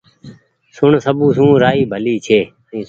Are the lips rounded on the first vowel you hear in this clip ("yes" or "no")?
yes